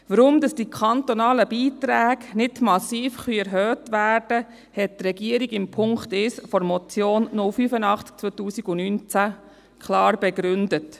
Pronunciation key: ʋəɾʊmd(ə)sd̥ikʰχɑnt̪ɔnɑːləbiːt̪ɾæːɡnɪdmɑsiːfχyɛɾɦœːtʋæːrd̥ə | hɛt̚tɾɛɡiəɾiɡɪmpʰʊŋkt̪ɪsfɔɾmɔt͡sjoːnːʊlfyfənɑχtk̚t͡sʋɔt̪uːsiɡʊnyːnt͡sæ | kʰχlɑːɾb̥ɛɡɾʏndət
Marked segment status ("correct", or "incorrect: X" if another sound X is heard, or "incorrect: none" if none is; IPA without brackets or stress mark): incorrect: ɑ